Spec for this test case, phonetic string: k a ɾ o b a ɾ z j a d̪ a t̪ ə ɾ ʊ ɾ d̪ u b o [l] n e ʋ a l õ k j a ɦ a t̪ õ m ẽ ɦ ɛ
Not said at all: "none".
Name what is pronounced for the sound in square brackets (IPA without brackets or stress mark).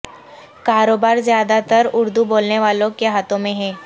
l